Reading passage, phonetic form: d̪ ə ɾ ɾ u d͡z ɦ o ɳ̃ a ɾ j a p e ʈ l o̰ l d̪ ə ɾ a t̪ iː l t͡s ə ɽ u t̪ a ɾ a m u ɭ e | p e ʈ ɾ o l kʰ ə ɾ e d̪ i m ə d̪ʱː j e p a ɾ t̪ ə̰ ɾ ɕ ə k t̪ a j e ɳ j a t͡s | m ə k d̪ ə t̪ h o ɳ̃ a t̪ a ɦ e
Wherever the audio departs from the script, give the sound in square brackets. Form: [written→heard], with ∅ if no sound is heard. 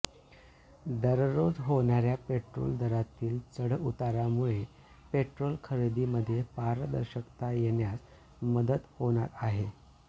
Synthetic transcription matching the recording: d̪ ə ɾ ɾ [u→o] d͡z ɦ o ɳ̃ a ɾ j a p e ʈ [l→ɾ] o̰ l d̪ ə ɾ a t̪ iː l t͡s ə ɽ u t̪ a ɾ a m u ɭ e | p e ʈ ɾ o l kʰ ə ɾ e d̪ i m ə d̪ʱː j e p a ɾ [t̪→d̪] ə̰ ɾ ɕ ə k t̪ a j e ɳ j a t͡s | m ə [k→∅] d̪ ə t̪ h o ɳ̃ a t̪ a ɦ e